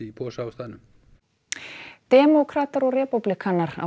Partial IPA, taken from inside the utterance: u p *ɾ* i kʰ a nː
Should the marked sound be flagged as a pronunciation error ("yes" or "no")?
yes